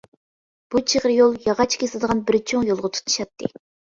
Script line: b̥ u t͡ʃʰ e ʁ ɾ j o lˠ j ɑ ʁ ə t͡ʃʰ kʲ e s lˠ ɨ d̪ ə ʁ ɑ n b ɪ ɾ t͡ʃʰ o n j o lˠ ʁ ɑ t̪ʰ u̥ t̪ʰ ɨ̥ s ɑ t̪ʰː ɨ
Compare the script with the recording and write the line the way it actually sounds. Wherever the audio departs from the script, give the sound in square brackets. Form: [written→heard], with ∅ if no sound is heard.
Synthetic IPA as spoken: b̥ u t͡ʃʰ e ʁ ɾ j o lˠ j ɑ ʁ [ə→ɑ] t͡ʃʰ kʲ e s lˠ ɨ d̪ ə ʁ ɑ n b ɪ ɾ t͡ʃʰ o [n→ŋ] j o lˠ ʁ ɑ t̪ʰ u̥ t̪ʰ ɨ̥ [s→ʃ] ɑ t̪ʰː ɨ